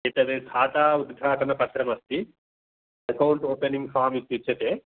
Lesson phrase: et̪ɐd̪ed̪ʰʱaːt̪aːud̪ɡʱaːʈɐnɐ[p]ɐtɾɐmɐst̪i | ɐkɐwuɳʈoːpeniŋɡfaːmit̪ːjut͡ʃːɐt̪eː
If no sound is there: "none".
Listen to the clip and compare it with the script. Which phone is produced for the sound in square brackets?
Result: p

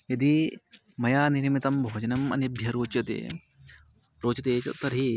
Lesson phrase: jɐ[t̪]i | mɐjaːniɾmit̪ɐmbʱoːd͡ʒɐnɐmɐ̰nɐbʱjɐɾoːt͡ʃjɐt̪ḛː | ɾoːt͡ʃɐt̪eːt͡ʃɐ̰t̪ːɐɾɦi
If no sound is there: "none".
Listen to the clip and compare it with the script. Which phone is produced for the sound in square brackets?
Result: d̪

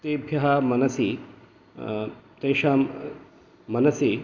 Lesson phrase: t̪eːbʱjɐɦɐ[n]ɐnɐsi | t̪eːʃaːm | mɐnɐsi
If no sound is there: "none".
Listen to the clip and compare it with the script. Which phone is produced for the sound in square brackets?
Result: m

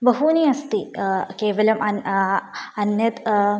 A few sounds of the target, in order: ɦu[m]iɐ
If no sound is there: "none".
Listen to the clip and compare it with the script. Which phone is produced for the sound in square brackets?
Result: n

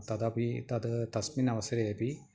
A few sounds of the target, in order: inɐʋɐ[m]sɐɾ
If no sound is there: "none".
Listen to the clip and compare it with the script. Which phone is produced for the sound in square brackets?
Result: none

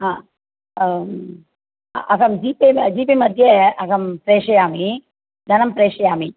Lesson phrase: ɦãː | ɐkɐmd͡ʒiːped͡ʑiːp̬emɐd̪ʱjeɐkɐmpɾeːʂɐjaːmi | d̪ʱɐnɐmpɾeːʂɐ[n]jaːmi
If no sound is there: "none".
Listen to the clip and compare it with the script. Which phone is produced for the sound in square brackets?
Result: none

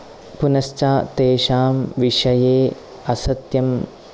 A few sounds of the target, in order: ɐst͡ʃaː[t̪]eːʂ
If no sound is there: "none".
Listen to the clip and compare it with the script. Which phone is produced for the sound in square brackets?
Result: t̪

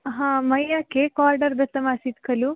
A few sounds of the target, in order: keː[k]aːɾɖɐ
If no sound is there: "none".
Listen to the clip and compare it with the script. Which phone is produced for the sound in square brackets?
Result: k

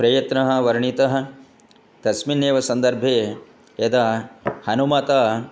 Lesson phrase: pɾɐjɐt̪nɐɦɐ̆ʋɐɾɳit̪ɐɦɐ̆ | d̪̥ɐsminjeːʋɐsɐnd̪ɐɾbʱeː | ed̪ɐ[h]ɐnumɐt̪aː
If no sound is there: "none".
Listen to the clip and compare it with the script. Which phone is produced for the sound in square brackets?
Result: h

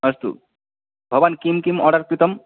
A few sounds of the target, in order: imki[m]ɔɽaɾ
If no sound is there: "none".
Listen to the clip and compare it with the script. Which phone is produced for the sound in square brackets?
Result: m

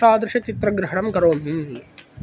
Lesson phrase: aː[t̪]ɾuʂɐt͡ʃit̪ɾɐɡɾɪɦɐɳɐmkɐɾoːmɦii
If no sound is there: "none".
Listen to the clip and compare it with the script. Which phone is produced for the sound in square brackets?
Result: d̪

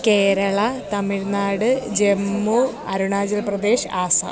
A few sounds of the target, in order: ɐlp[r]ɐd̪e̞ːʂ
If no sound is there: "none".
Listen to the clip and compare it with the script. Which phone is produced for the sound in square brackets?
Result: r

